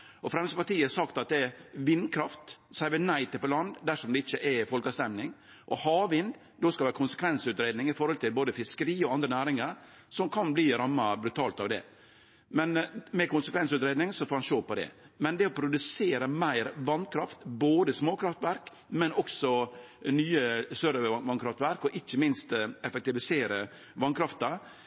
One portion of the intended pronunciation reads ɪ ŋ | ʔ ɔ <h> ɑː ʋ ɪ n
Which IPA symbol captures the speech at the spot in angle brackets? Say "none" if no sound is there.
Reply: h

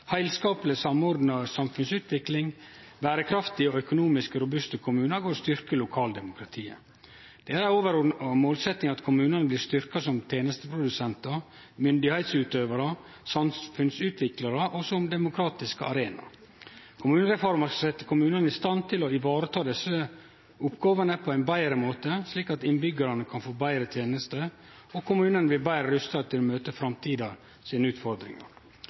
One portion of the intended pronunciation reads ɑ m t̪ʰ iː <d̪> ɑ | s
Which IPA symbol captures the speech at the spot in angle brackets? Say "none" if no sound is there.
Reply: d̪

